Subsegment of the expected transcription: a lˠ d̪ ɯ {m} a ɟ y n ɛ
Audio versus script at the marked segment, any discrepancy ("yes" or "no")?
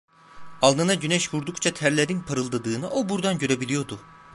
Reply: yes